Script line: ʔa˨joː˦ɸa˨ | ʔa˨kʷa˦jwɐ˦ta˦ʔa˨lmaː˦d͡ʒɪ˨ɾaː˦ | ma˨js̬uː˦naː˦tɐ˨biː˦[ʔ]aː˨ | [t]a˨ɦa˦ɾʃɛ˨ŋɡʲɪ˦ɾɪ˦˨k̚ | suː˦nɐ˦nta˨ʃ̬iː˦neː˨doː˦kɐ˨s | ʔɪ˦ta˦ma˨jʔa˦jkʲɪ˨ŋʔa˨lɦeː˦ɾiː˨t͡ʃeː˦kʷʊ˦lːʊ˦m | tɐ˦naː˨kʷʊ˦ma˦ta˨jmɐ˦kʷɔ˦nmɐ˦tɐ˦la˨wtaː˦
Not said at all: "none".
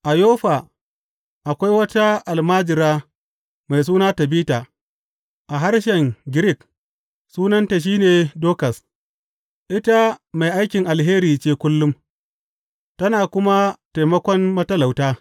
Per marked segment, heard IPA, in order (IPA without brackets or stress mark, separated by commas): t, ʔ